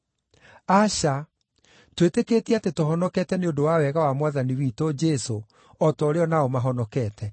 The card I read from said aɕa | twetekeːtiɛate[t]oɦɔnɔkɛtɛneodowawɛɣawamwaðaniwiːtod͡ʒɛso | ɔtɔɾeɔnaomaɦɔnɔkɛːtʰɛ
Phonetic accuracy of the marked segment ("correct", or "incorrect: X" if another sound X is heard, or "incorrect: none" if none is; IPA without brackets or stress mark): correct